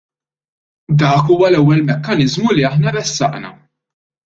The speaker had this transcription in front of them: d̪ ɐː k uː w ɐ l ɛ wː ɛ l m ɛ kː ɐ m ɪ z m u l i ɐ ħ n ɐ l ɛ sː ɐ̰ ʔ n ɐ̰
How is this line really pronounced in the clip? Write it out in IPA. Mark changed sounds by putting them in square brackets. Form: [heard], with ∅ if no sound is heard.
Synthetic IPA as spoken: d̪ ɐː k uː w ɐ l ɛ wː ɛ l m ɛ kː ɐ [n] ɪ z m u l i ɐ ħ n ɐ [ɾ] ɛ sː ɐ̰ ʔ n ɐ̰